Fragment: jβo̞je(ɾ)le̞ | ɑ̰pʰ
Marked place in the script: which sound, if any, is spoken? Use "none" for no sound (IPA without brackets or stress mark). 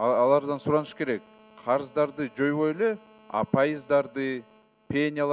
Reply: none